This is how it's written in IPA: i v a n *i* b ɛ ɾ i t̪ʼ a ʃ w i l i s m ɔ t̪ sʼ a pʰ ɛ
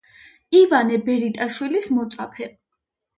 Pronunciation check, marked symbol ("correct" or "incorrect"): incorrect